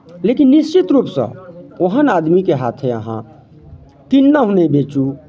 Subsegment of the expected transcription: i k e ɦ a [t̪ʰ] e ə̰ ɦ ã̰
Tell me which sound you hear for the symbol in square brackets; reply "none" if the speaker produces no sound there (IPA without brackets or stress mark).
t̪ʰ